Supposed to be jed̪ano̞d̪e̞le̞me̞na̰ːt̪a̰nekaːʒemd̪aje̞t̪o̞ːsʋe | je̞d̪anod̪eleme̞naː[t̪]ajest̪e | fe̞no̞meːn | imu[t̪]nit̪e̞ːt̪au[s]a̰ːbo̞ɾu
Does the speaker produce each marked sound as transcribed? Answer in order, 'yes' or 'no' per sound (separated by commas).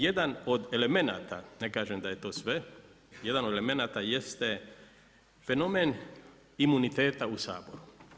yes, no, yes